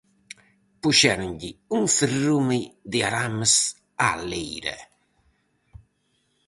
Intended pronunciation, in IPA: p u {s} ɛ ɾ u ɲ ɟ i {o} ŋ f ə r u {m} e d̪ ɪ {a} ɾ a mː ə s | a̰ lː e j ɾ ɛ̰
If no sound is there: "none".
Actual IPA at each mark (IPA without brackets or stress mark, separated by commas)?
ʃ, u, m, a